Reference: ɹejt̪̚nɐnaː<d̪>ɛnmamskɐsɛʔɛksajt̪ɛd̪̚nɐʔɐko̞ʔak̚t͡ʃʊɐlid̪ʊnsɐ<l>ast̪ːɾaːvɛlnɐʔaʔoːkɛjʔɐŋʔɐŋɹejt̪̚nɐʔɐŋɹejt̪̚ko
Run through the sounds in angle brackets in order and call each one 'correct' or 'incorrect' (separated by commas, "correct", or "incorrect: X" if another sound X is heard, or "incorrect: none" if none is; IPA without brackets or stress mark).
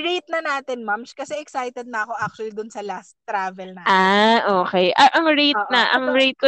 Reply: incorrect: t̪, correct